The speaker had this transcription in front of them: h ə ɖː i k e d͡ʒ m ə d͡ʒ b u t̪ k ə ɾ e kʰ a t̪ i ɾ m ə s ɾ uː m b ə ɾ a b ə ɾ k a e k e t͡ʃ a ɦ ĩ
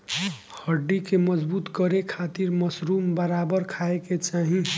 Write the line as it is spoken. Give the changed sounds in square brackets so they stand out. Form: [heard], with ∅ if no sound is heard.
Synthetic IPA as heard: h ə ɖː i k e [∅] m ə d͡ʒ b u t̪ k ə ɾ e kʰ a t̪ i ɾ m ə s ɾ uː m b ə ɾ a b ə ɾ [kʰ] a e k e t͡ʃ a ɦ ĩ

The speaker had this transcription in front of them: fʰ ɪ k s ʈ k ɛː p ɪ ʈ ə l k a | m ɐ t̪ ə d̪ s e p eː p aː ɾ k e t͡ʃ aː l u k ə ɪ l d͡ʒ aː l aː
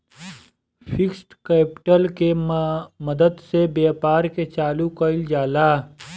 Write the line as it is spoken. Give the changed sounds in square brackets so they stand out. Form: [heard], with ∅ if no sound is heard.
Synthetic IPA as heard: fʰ ɪ k s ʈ k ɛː p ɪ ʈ ə l k [e] | m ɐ [d̪] ə d̪ s e [b] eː p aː ɾ k e t͡ʃ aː l u k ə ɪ l d͡ʒ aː l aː

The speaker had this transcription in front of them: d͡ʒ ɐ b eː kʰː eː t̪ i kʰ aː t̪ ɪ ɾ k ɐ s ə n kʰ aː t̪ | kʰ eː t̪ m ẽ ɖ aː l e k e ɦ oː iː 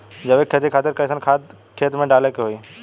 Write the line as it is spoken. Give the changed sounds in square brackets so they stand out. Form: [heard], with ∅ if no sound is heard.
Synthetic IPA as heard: d͡ʒ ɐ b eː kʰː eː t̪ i kʰ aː t̪ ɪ ɾ k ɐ s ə n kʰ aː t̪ | kʰ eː t̪ m ẽ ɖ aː l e k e ɦ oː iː

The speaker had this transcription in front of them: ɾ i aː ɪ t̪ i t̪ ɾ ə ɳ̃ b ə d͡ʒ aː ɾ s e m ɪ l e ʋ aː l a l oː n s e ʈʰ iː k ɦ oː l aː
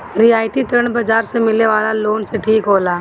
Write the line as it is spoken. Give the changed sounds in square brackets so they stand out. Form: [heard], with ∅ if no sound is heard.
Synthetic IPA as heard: ɾ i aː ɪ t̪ i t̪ ɾ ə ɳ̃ b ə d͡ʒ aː ɾ s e m ɪ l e ʋ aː l a l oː n s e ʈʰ iː k ɦ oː l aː

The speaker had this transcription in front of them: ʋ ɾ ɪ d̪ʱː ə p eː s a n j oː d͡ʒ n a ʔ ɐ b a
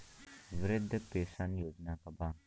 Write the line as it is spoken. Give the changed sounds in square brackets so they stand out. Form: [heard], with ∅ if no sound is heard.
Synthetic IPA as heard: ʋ ɾ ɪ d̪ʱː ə p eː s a n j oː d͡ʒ n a [k] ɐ b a

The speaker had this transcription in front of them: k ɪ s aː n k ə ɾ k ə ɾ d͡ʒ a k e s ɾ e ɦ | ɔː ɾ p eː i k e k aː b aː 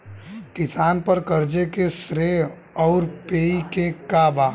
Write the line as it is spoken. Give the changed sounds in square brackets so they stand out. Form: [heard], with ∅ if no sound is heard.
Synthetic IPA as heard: k ɪ s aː n [p] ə ɾ k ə ɾ d͡ʒ [e] k e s ɾ e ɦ | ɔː ɾ p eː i k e k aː b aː

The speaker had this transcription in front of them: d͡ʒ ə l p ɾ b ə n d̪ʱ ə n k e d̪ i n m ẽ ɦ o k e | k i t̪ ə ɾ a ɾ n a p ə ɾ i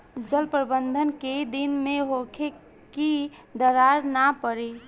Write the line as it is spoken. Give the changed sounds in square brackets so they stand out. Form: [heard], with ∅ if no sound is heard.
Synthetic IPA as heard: d͡ʒ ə l p ɾ b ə n d̪ʱ ə n k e d̪ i n m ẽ ɦ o [kʰ] e | k i [d̪] ə ɾ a ɾ n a p ə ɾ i

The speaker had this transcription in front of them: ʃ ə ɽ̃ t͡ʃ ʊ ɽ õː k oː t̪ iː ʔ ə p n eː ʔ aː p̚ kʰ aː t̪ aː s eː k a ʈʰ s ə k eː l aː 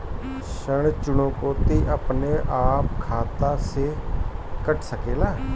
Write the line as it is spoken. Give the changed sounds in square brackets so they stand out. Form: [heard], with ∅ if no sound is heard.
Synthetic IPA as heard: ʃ ə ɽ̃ t͡ʃ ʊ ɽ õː k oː t̪ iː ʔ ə p n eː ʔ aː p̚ kʰ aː t̪ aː s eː k [ə] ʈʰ s ə k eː l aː

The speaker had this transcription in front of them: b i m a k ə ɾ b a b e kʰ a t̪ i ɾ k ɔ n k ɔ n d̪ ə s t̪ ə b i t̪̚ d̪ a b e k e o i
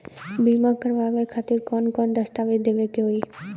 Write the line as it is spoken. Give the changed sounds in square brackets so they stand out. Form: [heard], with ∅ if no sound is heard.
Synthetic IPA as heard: b i m a k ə ɾ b a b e kʰ a t̪ i ɾ k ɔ n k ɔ n d̪ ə s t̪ [a] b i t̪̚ d̪ [e] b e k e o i

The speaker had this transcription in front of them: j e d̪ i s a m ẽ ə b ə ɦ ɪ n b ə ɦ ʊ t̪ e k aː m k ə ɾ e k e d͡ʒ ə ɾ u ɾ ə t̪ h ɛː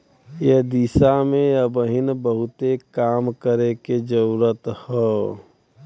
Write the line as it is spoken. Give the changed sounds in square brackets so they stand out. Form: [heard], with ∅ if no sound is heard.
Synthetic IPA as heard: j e d̪ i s a m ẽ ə b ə ɦ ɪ n b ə ɦ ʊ t̪ e k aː m k ə ɾ e k e d͡ʒ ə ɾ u ɾ ə t̪ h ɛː

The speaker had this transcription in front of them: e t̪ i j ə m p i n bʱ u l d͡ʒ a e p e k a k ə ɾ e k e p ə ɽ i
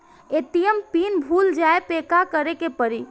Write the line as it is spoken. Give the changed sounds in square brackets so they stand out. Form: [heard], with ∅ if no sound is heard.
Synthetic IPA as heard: e t̪ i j ə m p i n bʱ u l d͡ʒ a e p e k a k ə ɾ e k e p ə [ɾ] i

